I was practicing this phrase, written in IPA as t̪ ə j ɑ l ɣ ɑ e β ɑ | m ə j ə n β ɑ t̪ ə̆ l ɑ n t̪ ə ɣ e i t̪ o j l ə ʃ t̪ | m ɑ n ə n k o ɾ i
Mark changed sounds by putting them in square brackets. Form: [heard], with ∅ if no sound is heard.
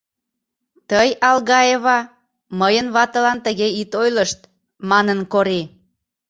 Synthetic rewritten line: t̪ ə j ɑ l ɣ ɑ e β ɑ | m ə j ə n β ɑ t̪ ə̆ l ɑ n t̪ ə ɣ e i t̪ o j l ə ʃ t̪ | m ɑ n ə n k o ɾ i